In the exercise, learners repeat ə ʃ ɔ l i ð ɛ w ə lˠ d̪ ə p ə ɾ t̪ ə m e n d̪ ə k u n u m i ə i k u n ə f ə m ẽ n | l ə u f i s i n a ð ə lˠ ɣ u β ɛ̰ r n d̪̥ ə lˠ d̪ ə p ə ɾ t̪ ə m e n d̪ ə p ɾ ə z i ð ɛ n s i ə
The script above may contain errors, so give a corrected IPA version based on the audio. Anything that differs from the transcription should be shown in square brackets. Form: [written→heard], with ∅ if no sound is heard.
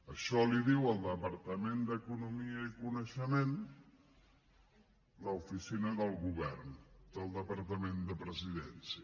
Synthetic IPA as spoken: ə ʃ ɔ l i ð [ɛ→i] w ə lˠ d̪ ə p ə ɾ t̪ ə m e n d̪ ə k u n u m i ə i k u n ə [f→ʃ] ə m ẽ n | l ə u f i s i n [a→ə] ð ə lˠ ɣ u β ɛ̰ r n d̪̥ ə lˠ d̪ ə p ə ɾ t̪ ə m e n d̪ ə p ɾ ə z i ð ɛ n s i ə